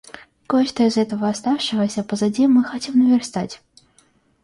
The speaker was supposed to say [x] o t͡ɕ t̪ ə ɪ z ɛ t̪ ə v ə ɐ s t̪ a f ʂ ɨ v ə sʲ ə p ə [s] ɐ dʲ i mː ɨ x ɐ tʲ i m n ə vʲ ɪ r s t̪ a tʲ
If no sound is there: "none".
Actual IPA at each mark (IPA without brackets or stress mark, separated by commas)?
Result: k, z